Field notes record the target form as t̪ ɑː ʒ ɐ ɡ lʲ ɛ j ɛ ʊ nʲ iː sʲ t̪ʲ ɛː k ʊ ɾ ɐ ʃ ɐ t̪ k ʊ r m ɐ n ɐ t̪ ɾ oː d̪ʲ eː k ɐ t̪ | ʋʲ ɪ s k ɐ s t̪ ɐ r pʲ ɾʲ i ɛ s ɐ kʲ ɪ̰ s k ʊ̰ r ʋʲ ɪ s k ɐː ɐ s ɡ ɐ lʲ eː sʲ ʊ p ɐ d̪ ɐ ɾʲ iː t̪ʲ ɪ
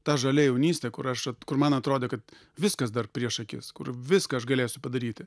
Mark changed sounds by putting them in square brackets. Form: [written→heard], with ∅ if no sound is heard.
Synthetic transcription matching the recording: t̪ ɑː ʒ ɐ [ɡ→∅] lʲ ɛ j ɛ ʊ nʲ iː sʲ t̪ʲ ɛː k ʊ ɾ ɐ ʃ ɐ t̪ k ʊ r m ɐ n ɐ t̪ ɾ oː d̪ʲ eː k ɐ t̪ | ʋʲ ɪ s k ɐ s [t̪→d̪] ɐ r pʲ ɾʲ i ɛ [s→ʃ] ɐ kʲ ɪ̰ s k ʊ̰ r ʋʲ ɪ s k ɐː ɐ [s→ʃ] ɡ ɐ lʲ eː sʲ ʊ p ɐ d̪ ɐ ɾʲ iː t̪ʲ ɪ